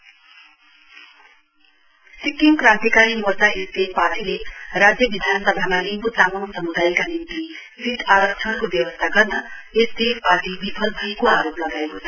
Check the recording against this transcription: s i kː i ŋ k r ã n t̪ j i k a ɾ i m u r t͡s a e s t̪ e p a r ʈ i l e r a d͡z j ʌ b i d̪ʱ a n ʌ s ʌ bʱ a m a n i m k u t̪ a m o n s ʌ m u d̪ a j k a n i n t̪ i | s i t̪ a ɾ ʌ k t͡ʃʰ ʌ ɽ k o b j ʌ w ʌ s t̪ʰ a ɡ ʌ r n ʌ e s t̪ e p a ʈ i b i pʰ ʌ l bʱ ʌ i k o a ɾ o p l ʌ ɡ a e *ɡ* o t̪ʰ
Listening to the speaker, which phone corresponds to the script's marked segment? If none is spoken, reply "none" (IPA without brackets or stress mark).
k